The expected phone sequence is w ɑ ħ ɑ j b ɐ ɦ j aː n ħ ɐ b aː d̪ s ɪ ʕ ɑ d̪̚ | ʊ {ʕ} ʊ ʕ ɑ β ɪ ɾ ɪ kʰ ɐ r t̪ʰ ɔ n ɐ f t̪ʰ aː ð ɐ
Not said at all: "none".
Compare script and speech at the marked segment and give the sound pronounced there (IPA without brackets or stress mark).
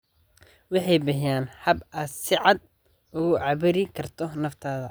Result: ɣ